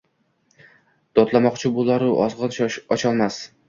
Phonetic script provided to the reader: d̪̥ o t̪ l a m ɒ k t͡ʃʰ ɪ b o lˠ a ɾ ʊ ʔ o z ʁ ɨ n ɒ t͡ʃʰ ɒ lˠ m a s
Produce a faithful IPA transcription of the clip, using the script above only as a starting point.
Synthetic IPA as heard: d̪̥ ɒ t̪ l a m ɒ q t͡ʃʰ ɪ b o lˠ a ɾ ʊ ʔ ɒ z ʁ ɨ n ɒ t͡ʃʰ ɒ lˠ m a s